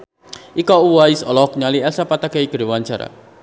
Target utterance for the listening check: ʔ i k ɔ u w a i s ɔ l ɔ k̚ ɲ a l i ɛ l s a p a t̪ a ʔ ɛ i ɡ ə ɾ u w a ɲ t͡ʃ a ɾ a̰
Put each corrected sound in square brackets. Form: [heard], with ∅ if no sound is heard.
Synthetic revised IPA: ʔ i k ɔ u w a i s ɔ l ɔ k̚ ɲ a l i ɛ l s a p a t̪ a [k] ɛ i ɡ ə ɾ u w a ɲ t͡ʃ a ɾ a̰